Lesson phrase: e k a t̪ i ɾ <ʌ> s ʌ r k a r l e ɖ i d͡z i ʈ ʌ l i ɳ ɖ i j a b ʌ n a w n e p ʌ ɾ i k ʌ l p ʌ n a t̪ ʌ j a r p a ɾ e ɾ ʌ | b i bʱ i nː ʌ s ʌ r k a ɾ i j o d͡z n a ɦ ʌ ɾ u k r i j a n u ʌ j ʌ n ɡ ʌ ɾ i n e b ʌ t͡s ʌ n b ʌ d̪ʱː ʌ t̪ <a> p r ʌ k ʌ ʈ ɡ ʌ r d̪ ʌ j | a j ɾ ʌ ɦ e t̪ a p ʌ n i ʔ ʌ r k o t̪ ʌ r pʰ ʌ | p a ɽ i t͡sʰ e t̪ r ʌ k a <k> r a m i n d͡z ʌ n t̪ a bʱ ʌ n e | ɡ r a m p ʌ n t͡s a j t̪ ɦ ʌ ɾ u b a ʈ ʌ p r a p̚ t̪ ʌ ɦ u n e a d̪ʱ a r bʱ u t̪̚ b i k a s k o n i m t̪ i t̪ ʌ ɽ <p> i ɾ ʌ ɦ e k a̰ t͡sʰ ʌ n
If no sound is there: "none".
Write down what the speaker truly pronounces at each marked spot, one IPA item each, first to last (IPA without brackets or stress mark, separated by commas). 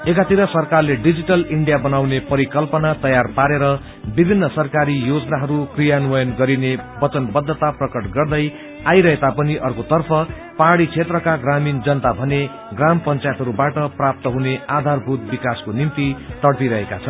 ʌ, a, ɡ, p